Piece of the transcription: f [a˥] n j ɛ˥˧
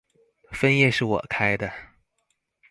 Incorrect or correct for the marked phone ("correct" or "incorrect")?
incorrect